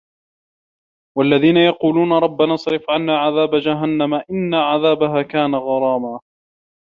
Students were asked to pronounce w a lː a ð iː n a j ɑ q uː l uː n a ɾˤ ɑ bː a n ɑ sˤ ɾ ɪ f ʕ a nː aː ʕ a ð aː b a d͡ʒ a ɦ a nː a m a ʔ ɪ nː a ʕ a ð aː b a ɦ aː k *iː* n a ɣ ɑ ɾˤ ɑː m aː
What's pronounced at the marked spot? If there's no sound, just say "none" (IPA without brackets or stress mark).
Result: aː